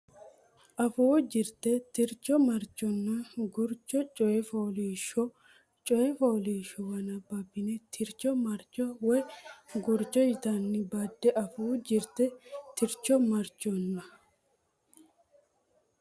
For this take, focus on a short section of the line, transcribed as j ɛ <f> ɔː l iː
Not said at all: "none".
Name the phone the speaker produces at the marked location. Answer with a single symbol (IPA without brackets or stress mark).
f